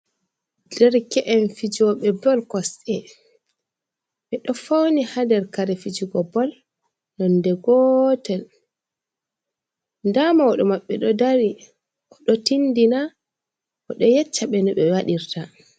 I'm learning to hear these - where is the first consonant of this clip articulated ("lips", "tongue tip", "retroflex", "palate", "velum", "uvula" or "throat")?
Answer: tongue tip